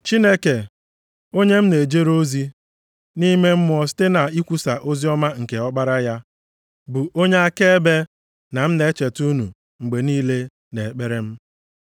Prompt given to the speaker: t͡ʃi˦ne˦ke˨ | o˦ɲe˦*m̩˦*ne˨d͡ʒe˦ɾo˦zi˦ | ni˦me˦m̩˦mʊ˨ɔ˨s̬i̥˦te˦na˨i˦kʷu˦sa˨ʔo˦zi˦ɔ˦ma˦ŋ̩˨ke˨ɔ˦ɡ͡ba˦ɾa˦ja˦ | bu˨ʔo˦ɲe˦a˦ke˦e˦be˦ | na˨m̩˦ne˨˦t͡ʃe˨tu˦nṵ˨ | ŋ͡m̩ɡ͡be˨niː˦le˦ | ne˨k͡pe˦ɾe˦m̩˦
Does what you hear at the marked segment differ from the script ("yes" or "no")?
no